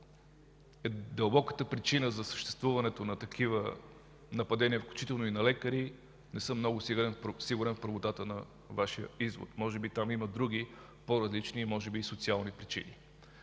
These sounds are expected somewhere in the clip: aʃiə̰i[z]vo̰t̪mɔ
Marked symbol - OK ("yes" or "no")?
yes